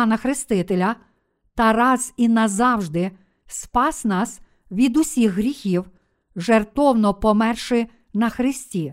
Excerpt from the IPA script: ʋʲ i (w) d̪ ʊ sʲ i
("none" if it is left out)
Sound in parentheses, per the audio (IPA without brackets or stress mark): none